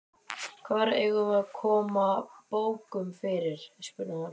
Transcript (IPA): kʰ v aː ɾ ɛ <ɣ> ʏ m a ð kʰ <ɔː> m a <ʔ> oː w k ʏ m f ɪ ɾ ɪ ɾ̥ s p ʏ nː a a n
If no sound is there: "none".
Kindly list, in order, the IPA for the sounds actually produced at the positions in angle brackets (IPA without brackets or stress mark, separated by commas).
ɣ, ɔː, p